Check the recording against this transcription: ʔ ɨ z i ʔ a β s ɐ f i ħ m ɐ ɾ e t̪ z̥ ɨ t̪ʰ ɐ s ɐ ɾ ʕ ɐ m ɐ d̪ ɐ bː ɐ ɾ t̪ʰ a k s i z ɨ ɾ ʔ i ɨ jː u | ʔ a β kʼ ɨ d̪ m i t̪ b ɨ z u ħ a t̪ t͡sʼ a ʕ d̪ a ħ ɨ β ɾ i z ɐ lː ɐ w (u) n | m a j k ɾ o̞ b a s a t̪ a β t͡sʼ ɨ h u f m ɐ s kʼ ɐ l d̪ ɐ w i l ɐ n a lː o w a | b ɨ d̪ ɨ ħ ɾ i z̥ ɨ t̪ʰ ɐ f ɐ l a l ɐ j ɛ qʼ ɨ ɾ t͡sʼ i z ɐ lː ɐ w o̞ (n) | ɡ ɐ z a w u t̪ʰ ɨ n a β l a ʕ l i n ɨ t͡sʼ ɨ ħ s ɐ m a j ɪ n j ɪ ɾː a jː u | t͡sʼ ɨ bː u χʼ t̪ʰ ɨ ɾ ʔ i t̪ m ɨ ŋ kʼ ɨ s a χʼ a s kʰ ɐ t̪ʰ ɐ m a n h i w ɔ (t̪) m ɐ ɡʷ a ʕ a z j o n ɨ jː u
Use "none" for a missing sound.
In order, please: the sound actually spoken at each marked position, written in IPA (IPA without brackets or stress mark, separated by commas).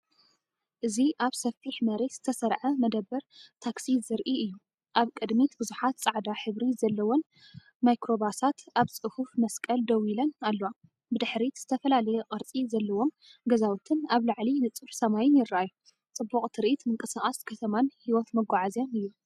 o, m, t̪